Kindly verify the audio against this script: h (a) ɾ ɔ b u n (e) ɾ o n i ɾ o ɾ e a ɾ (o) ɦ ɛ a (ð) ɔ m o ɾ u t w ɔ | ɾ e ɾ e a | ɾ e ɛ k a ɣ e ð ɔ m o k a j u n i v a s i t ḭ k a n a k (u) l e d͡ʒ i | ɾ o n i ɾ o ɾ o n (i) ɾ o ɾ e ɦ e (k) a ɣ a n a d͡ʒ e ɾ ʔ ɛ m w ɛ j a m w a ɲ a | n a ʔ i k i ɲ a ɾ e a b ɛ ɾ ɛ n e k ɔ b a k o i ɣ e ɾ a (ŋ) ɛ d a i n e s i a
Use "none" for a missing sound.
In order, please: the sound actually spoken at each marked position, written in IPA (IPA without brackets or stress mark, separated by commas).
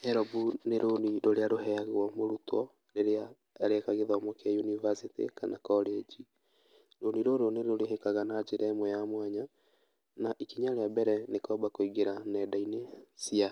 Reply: ɛ, e, o, ɣ, ɔ, e, k, n